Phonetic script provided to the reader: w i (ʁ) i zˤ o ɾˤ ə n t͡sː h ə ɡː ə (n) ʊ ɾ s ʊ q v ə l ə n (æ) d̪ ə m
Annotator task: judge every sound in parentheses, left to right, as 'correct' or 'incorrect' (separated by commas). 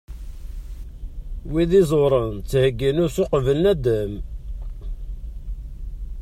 incorrect, correct, correct